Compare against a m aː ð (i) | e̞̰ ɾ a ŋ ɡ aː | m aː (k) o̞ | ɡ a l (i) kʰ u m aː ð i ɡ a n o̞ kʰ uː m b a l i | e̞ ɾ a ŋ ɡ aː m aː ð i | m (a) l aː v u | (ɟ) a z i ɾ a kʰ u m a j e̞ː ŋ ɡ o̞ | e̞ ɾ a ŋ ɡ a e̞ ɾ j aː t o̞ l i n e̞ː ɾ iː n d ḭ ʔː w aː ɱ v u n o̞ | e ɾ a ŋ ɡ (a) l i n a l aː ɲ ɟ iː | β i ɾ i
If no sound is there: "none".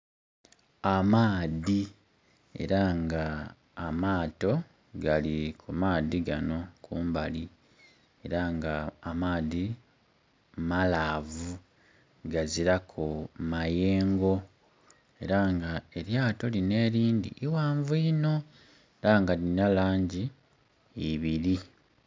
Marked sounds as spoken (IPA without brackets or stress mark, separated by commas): i, t, i, a, ɡ, a